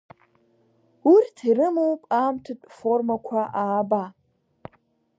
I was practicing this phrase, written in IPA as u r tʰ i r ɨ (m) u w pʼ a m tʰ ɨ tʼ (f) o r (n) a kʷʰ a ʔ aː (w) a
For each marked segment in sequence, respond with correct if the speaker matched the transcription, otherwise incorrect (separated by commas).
correct, correct, incorrect, incorrect